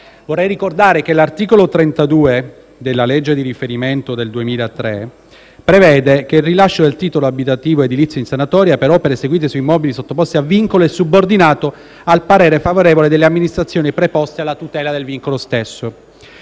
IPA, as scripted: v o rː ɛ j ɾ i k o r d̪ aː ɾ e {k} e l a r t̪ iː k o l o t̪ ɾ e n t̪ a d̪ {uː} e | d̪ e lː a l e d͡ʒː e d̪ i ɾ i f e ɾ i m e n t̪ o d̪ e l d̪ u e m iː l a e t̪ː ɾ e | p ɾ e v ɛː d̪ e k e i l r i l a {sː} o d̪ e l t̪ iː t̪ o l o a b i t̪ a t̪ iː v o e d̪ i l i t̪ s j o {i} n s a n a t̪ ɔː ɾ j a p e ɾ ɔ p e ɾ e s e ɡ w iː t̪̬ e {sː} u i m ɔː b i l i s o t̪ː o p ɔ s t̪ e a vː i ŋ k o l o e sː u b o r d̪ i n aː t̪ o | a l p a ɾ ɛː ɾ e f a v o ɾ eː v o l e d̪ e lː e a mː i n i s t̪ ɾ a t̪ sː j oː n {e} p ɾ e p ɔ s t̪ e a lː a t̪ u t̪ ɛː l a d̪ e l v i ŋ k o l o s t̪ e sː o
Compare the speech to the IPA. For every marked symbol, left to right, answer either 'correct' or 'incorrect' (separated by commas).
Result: correct, correct, incorrect, correct, incorrect, incorrect